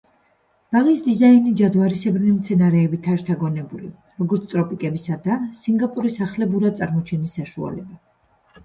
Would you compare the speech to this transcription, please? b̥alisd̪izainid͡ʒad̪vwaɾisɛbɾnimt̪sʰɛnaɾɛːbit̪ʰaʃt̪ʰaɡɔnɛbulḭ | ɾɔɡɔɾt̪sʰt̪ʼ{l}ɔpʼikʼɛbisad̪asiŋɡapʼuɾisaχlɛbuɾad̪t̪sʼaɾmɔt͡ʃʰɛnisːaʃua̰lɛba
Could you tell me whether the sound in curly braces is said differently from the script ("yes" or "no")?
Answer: yes